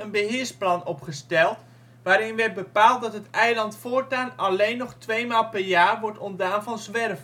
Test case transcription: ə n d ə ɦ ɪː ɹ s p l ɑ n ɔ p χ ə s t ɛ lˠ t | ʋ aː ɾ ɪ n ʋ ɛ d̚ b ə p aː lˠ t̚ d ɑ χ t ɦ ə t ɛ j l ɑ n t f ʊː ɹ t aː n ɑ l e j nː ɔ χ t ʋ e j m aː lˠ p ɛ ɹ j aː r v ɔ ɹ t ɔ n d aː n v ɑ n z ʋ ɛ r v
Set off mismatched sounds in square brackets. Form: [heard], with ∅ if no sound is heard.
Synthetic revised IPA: ə n [b] ə ɦ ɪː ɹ s p l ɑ n ɔ p χ ə s t ɛ lˠ t | ʋ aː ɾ ɪ n ʋ ɛ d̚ b ə p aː lˠ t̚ d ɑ [∅] t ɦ ə t ɛ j l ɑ n t f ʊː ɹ t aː n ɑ l e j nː ɔ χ t ʋ e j m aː lˠ p ɛ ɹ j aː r [ʋ] ɔ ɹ t ɔ n d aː n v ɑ n z ʋ ɛ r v